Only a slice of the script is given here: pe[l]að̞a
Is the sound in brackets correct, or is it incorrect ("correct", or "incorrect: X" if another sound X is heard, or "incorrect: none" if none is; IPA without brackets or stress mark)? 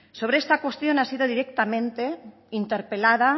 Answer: correct